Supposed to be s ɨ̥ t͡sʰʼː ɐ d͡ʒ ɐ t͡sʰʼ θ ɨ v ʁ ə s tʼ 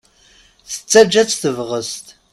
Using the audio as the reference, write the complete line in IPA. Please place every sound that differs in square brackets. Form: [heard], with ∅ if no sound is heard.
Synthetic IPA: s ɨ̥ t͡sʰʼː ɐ d͡ʒ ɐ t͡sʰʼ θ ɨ v ʁ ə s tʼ

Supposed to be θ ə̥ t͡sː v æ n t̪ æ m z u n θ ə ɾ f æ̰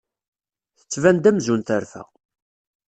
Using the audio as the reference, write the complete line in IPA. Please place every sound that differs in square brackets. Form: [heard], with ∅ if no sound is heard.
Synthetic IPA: θ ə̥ t͡sː v æ n [d̪] æ m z u n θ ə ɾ f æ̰

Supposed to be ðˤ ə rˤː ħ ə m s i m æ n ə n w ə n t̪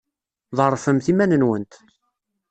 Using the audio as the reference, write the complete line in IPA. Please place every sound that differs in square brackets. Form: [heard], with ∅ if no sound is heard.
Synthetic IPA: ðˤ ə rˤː [f] ə m [θ] i m æ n ə n w ə n t̪

